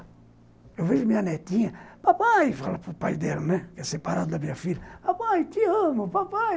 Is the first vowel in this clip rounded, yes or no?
no